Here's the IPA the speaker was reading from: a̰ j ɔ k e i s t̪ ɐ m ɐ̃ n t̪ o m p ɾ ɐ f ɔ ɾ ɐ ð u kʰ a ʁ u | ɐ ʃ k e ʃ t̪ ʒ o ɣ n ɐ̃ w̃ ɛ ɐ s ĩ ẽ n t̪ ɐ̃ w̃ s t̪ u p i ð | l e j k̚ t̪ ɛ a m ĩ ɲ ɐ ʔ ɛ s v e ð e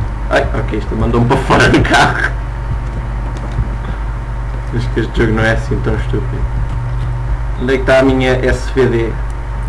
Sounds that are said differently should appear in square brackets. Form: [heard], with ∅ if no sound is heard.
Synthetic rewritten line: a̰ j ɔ k e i [ʃ] t̪ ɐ m ɐ̃ n [d̪] o m p ɾ ɐ f ɔ ɾ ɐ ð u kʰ a ʁ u | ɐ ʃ k e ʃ t̪ ʒ o ɣ n ɐ̃ w̃ ɛ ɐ s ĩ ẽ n t̪ ɐ̃ w̃ [ʃ] t̪ u p i ð | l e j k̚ t̪ [a] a m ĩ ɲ ɐ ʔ ɛ s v e ð e

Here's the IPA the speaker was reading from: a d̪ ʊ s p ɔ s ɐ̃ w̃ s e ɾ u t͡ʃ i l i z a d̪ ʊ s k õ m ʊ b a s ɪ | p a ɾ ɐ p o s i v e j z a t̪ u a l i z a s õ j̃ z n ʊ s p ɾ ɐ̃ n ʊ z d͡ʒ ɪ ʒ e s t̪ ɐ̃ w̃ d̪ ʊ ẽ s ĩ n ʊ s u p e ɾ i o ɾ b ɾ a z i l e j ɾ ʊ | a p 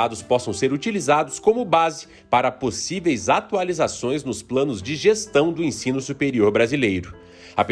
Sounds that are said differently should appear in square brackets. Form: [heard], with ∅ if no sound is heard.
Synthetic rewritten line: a d̪ ʊ s p ɔ s ɐ̃ w̃ s e ɾ u t͡ʃ i l i z a d̪ ʊ s k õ m ʊ b a [z] ɪ | p a ɾ ɐ p o s i v e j z a t̪ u a l i z a s õ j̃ z n ʊ s p [l] ɐ̃ n ʊ z d͡ʒ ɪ ʒ e s t̪ ɐ̃ w̃ d̪ ʊ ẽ s ĩ n ʊ s u p e ɾ i o ɾ b ɾ a z i l e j ɾ ʊ | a p

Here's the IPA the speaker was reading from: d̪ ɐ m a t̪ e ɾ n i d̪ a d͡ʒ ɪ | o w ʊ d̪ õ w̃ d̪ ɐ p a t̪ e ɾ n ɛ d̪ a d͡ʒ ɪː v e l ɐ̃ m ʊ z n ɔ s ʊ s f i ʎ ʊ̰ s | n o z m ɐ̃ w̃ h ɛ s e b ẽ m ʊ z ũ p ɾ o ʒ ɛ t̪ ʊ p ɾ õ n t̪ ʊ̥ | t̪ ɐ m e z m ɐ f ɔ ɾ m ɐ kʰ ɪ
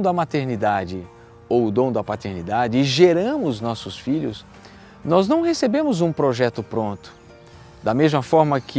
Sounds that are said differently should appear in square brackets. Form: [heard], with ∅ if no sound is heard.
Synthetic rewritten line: d̪ ɐ m a t̪ e ɾ n i d̪ a d͡ʒ ɪ | o w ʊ d̪ õ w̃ d̪ ɐ p a t̪ e ɾ n [i] d̪ a d͡ʒ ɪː [ʒ] e [ɾ] ɐ̃ m ʊ z n ɔ s ʊ s f i ʎ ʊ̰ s | n [ɔ] z [n] ɐ̃ w̃ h [e] s e b ẽ m ʊ z ũ p ɾ o ʒ ɛ t̪ ʊ p ɾ õ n t̪ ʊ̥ | [d̪] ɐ m e z m ɐ f ɔ ɾ m ɐ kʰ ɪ

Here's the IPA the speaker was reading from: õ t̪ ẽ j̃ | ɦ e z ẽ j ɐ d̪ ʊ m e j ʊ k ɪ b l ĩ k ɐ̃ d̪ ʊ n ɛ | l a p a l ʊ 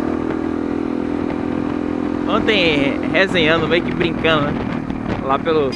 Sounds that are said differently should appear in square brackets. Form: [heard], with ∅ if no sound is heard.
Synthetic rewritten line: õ t̪ ẽ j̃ | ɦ e z ẽ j [ɐ̃] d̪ ʊ m e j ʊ k ɪ b [ɾ] ĩ k ɐ̃ d̪ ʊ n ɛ | l a p [e] l ʊ

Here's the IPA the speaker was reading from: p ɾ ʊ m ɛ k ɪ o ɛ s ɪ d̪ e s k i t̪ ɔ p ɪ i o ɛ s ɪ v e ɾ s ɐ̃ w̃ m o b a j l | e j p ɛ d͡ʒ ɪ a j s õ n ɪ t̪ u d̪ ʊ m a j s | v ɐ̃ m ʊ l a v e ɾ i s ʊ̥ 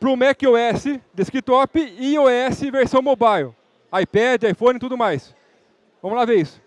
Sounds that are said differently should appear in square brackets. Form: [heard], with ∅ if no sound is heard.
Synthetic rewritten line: p ɾ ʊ m ɛ k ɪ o ɛ s ɪ d̪ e s k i t̪ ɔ p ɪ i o ɛ s ɪ v e ɾ s ɐ̃ w̃ m o b a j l | [a] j p ɛ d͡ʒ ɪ a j [f] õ n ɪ t̪ u d̪ ʊ m a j s | v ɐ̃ m ʊ l a v e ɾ i s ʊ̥

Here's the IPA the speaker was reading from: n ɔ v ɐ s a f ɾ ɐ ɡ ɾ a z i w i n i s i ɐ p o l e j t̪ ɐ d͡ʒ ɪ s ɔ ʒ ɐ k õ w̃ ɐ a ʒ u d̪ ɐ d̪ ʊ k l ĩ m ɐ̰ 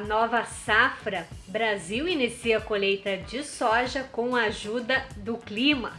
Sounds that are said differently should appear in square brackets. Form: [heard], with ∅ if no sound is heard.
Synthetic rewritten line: n ɔ v ɐ s a f ɾ ɐ [b] ɾ a z i w i n i s i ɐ [k] o l e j t̪ ɐ d͡ʒ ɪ s ɔ ʒ ɐ k õ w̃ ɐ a ʒ u d̪ ɐ d̪ ʊ k l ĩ m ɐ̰

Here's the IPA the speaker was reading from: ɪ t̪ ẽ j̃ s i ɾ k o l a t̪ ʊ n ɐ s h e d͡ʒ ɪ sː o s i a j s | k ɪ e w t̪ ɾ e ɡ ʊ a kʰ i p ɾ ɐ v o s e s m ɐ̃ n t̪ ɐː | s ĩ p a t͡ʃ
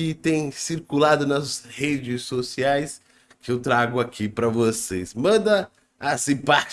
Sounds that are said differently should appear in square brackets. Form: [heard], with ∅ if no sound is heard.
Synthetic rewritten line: ɪ t̪ ẽ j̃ s i ɾ k [u] l a [d̪] ʊ n ɐ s h e d͡ʒ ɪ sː o s i a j s | k ɪ e w t̪ ɾ [a] ɡ ʊ a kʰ i p ɾ ɐ v o s e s m ɐ̃ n [d̪] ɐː | s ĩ p a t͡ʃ

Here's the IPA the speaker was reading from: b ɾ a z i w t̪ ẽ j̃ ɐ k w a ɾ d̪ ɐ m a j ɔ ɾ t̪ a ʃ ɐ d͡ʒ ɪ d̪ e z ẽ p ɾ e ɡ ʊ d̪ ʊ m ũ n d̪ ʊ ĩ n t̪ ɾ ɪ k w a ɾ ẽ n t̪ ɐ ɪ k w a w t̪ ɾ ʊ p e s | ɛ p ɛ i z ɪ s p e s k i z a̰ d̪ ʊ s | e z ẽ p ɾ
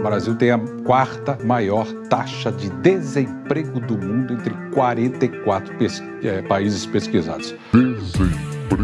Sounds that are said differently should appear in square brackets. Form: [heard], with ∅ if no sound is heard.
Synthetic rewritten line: b ɾ a z i w t̪ ẽ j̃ ɐ k w a ɾ [t̪] ɐ m a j ɔ ɾ t̪ a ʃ ɐ d͡ʒ ɪ d̪ e z ẽ p ɾ e ɡ ʊ d̪ ʊ m ũ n d̪ ʊ [ẽ] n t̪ ɾ ɪ k w a ɾ ẽ n t̪ ɐ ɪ k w a [∅] t̪ ɾ ʊ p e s | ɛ p [a] i z ɪ s p e s k i z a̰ d̪ ʊ s | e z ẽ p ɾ

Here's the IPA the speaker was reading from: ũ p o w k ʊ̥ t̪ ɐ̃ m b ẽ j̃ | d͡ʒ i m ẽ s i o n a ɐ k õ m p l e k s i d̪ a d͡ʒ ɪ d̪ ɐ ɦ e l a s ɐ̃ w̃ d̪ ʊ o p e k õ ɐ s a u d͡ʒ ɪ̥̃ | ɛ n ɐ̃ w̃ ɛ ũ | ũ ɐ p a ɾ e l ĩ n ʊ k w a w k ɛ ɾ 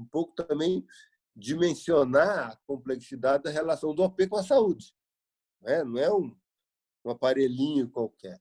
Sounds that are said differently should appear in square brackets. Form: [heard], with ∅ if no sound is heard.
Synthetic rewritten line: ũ p o w k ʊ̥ t̪ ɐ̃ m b ẽ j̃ | d͡ʒ i m ẽ s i o n a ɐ k õ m p l e k s i d̪ a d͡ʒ ɪ d̪ ɐ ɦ e l a s ɐ̃ w̃ d̪ ʊ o p e k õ ɐ s a u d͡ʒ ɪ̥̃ | ɛ n ɐ̃ w̃ ɛ ũ | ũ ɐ p a ɾ e l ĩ [ɲ] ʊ k w a w k ɛ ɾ

